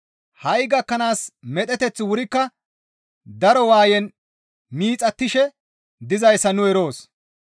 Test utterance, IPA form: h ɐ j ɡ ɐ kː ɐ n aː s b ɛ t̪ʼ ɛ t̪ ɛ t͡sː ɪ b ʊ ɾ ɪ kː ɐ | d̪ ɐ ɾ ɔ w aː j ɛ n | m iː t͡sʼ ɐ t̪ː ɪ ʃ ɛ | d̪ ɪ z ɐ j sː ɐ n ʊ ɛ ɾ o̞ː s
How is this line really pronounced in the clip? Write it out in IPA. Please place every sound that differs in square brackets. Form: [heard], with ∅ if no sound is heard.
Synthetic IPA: h ɐ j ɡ ɐ kː ɐ n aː s [m] ɛ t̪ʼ ɛ t̪ ɛ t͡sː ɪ [w] ʊ ɾ ɪ kː ɐ | d̪ ɐ ɾ ɔ w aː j ɛ n | m iː t͡sʼ ɐ t̪ː ɪ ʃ ɛ | d̪ ɪ z ɐ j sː ɐ n ʊ ɛ ɾ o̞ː s

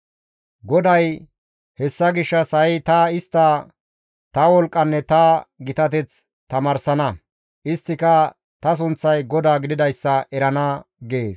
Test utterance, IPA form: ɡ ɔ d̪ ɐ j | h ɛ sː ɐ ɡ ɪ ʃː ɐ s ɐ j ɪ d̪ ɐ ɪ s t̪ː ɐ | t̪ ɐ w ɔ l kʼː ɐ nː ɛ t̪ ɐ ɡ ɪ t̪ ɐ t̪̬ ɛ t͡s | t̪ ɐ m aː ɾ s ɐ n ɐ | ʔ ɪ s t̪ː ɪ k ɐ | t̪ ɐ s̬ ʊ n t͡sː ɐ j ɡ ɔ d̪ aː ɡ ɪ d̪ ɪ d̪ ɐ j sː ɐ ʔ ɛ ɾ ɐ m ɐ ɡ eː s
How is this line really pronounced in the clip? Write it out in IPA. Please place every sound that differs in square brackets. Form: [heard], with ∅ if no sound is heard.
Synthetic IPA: ɡ ɔ d̪ ɐ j | h ɛ sː ɐ ɡ ɪ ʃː ɐ s ɐ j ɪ [t̪] ɐ ɪ s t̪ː ɐ | t̪ ɐ w ɔ l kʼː ɐ nː ɛ t̪ ɐ ɡ ɪ t̪ ɐ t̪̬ ɛ t͡s | t̪ ɐ m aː ɾ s ɐ n ɐ | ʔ ɪ s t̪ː ɪ k ɐ | t̪ ɐ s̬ ʊ n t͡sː ɐ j ɡ ɔ d̪ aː ɡ ɪ d̪ ɪ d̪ ɐ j sː ɐ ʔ ɛ ɾ ɐ [n] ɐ ɡ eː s

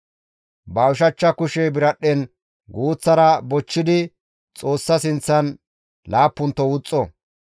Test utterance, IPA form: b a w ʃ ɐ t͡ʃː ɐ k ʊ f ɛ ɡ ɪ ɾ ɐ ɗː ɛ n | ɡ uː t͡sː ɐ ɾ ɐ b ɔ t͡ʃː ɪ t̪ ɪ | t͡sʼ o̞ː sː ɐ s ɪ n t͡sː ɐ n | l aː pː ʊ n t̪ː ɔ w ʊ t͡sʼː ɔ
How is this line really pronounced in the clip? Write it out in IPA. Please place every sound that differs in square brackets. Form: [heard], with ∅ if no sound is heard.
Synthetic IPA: b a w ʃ ɐ t͡ʃː ɐ k ʊ [ʃ] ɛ [b] ɪ ɾ ɐ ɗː ɛ n | ɡ uː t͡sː ɐ ɾ ɐ b ɔ t͡ʃː ɪ [d̪] ɪ | t͡sʼ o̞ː sː ɐ s ɪ n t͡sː ɐ n | l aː pː ʊ n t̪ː ɔ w ʊ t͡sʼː ɔ

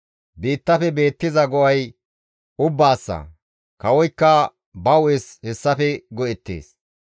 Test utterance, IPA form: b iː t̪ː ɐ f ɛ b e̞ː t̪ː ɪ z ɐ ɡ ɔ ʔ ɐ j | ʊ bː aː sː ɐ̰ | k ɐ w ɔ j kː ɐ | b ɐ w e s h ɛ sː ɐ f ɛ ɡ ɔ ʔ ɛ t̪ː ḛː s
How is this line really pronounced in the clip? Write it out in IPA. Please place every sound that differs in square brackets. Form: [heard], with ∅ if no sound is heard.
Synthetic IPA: b iː t̪ː ɐ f ɛ b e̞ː t̪ː ɪ z ɐ ɡ ɔ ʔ ɐ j | ʊ bː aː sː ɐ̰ | k ɐ w ɔ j kː ɐ | b ɐ w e s h ɛ sː ɐ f ɛ ɡ ɔ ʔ ɛ t̪ː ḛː s

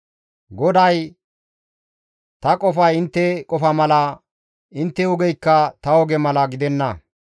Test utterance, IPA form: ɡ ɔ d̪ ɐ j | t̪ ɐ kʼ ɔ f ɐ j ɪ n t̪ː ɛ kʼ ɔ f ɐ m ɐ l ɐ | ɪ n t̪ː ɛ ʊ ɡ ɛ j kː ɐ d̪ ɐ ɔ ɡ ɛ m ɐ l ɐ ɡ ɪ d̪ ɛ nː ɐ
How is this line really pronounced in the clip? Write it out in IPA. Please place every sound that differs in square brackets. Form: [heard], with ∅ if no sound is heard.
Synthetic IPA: ɡ ɔ d̪ ɐ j | t̪ ɐ kʼ ɔ f ɐ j ɪ n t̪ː ɛ kʼ ɔ f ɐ m ɐ l ɐ | ɪ n t̪ː ɛ ʊ ɡ ɛ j kː ɐ [t̪] ɐ ɔ ɡ ɛ m ɐ l ɐ ɡ ɪ d̪ ɛ nː ɐ

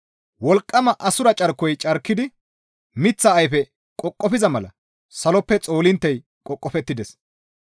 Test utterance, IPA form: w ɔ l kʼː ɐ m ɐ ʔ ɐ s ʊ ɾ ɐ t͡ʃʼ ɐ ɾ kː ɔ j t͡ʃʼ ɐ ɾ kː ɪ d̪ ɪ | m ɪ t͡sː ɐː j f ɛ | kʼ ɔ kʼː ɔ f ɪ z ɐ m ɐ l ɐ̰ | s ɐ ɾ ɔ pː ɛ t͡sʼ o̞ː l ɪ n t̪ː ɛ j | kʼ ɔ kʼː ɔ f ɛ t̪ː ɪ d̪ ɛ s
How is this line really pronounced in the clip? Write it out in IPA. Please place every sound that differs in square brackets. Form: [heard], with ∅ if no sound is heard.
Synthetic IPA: w ɔ l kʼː ɐ m ɐ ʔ ɐ s ʊ ɾ ɐ t͡ʃʼ ɐ ɾ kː ɔ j t͡ʃʼ ɐ ɾ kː ɪ d̪ ɪ | m ɪ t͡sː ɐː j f ɛ | kʼ ɔ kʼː ɔ f ɪ z ɐ m ɐ l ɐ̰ | s ɐ [l] ɔ pː ɛ t͡sʼ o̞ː l ɪ n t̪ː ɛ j | kʼ ɔ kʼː ɔ f ɛ t̪ː ɪ d̪ ɛ s

